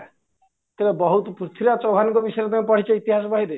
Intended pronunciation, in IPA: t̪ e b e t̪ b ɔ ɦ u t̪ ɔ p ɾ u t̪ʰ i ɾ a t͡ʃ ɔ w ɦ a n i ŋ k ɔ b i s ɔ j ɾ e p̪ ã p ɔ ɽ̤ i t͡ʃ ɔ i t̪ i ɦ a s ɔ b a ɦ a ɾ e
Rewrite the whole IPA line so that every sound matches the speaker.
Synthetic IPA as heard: t̪ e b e b ɔ ɦ u t̪ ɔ p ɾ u t̪ʰ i ɾ a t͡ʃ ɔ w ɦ a n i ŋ k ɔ b i s ɔ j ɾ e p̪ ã p ɔ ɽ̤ i t͡ʃ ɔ i t̪ i ɦ a s ɔ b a ɦ i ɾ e